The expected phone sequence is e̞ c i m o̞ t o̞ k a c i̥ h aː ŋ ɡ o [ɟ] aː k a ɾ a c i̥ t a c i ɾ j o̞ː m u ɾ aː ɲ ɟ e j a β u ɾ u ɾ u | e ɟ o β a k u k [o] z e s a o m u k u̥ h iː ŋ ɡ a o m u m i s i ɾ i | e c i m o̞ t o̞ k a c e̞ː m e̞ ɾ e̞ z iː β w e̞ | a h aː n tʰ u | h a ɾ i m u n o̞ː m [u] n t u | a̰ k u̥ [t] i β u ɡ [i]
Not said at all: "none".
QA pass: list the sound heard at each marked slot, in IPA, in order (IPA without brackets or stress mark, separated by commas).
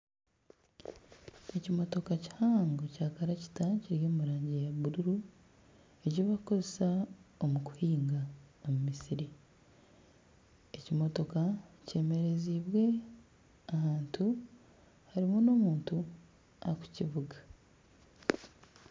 c, o, uː, c, a